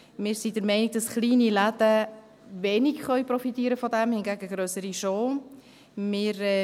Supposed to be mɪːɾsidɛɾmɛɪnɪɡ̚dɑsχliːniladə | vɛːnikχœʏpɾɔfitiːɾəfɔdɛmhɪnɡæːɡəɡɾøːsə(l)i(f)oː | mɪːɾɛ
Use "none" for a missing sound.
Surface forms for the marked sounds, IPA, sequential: ɾ, ʃ

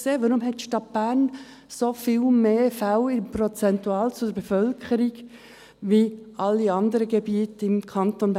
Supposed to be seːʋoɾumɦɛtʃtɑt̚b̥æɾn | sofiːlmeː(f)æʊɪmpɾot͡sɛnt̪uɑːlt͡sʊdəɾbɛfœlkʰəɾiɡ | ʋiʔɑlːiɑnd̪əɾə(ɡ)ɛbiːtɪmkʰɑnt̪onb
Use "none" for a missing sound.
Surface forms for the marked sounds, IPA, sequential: f, ɡ

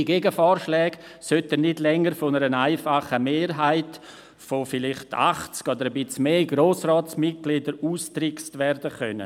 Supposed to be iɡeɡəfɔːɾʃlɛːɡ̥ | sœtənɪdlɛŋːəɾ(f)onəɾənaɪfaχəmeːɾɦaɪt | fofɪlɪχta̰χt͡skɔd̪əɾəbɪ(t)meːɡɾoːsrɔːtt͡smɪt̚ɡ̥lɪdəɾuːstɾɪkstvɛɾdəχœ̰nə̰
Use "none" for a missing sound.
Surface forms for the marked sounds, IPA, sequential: f, t͡s

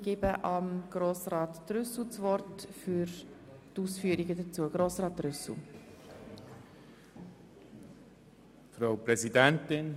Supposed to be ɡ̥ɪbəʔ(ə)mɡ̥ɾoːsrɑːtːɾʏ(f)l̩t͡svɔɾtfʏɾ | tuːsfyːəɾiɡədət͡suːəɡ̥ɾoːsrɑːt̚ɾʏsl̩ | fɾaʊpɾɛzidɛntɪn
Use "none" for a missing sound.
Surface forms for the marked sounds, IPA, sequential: ɑ, s

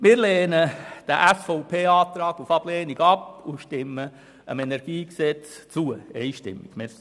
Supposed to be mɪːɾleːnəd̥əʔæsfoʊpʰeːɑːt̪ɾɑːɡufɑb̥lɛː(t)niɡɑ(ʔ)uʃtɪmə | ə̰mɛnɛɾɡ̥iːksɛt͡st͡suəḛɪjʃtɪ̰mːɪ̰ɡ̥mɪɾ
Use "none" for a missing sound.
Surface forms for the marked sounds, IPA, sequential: none, p

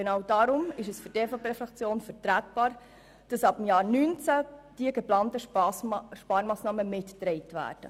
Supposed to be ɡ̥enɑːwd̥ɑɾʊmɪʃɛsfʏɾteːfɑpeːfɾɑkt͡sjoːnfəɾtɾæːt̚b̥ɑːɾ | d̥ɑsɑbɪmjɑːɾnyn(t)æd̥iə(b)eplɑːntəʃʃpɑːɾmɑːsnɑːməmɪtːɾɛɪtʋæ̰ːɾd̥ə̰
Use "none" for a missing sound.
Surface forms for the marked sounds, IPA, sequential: t͡s, ɡ

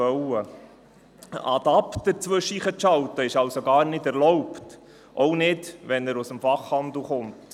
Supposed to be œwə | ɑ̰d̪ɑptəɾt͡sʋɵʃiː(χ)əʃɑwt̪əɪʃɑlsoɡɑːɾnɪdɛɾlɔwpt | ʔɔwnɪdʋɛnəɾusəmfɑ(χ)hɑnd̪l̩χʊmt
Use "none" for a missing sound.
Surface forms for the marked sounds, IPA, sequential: χ, χ

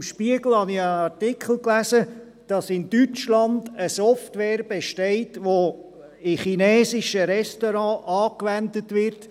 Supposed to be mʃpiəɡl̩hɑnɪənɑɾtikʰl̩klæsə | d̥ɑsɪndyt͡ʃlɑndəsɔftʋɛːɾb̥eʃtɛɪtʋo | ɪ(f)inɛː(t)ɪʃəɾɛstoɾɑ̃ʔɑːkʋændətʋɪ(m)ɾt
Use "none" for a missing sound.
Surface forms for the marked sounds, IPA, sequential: χ, s, none

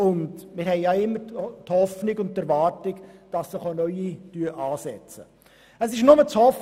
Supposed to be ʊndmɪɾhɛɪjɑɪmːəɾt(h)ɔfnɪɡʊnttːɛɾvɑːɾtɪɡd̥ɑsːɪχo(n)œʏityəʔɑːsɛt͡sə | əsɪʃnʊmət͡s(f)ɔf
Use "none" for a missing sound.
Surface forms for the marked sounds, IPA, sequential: h, n, h

